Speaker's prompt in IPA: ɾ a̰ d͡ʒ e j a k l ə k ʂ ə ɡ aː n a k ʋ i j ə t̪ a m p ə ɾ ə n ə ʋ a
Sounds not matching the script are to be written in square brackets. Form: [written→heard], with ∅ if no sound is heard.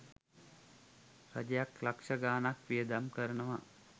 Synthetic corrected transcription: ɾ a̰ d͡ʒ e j a k l [ə→a] k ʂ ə ɡ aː n a k ʋ i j ə [t̪→d̪] a m [p→k] ə ɾ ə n ə ʋ a

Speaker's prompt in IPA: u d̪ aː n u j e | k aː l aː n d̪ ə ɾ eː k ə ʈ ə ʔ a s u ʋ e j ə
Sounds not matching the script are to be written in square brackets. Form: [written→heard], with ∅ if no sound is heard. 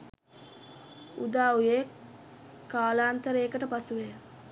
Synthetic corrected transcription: u d̪ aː [n→∅] u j e | k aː l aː n [d̪→t̪] ə ɾ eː k ə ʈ ə [ʔ→p] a s u ʋ e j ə

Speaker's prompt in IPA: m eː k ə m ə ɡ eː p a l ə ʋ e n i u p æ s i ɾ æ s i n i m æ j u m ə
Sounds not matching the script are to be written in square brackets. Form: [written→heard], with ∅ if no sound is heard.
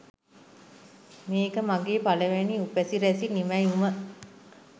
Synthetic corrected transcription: m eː k ə m [ə→a] ɡ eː p a l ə ʋ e n i u p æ s i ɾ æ s i n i m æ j u m ə

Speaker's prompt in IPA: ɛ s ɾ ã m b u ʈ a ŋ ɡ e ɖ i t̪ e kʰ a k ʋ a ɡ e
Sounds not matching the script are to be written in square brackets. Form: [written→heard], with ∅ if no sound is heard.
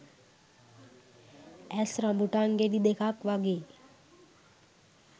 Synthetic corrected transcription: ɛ s ɾ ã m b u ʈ a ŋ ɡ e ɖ i [t̪→d̪] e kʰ a k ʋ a ɡ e

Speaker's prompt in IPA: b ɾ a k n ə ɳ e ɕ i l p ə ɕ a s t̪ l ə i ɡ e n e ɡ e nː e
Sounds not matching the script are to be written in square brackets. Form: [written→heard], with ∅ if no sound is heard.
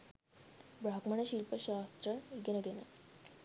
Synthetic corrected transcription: b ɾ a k [n→m] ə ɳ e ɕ i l p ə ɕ a s t̪ [l→ɾ] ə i ɡ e n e ɡ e [nː→n] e

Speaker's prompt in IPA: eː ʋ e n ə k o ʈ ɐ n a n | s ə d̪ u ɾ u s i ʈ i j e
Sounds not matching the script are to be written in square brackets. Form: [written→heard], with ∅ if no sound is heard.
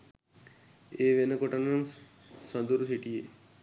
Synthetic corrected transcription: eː ʋ e n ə k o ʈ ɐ n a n | s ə d̪ u ɾ u s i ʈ i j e

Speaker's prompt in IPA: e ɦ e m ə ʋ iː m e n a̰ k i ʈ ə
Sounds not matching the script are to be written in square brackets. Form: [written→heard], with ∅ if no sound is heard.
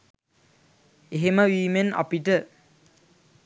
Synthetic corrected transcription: e ɦ e m ə ʋ iː m e n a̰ [k→p] i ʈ ə

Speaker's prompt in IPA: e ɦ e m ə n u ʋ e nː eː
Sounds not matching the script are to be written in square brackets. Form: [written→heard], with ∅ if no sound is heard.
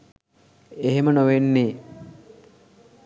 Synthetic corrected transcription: e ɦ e m ə n [u→o] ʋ e nː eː

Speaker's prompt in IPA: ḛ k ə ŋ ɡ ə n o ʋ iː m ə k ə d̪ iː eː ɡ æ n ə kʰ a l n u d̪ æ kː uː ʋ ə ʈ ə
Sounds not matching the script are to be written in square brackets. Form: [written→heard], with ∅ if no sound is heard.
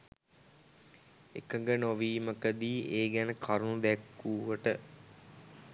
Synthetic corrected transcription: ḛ k ə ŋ ɡ ə n o ʋ iː m ə k ə d̪ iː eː ɡ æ n ə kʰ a [l→ɾ] n u d̪ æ kː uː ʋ ə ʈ ə

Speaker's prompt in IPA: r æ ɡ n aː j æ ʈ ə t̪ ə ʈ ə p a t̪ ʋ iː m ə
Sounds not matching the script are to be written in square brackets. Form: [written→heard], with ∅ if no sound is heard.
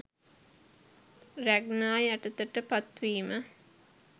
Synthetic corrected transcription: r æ ɡ n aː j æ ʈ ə t̪ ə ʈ ə p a t̪ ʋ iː m ə

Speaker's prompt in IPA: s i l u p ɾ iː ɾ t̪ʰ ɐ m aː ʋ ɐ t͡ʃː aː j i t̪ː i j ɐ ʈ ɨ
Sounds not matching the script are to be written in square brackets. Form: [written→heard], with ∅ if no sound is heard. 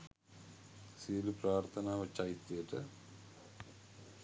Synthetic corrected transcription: s i l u p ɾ [iː→aː] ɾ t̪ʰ ɐ [m→n] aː ʋ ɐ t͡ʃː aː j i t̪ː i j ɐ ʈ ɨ

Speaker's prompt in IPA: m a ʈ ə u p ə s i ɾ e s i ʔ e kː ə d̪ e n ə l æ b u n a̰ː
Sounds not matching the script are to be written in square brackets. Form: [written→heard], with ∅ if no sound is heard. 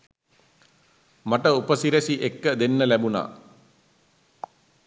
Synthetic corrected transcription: m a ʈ ə u p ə s i ɾ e s i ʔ e kː ə d̪ e [n→nː] ə l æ b u n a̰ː

